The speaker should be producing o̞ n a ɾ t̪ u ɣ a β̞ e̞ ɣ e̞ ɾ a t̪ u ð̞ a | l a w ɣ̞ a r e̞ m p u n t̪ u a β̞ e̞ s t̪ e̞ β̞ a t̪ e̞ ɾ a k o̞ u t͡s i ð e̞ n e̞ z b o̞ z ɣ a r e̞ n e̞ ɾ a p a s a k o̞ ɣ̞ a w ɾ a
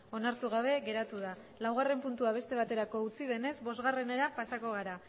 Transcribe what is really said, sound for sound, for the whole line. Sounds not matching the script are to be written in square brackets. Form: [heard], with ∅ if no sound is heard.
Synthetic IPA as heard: o̞ n a ɾ t̪ u ɣ a β̞ e̞ ɣ e̞ ɾ a t̪ u ð̞ a | l a w ɣ̞ a r e̞ m p u n t̪ u a β̞ e̞ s t̪ e̞ β̞ a t̪ e̞ ɾ a k o̞ u t͡s i ð e̞ n e̞ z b o̞ z ɣ a r e̞ n e̞ ɾ a p a s a k o̞ ɣ̞ a [∅] ɾ a